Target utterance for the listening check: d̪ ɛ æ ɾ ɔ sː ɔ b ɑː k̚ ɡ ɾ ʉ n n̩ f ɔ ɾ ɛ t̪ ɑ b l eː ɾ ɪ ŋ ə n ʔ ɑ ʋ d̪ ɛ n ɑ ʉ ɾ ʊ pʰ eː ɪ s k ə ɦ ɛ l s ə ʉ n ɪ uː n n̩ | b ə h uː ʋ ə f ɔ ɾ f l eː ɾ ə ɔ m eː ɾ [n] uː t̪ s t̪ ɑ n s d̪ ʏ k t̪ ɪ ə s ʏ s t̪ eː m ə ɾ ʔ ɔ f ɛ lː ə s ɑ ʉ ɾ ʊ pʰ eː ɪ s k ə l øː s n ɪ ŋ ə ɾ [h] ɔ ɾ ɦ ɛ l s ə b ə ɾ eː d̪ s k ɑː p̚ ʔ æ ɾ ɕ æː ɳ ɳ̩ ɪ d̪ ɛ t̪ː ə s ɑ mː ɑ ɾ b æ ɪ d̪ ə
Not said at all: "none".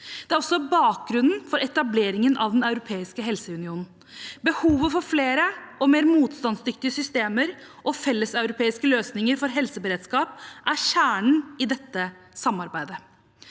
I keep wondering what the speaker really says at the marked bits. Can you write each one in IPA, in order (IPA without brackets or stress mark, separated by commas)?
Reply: m, f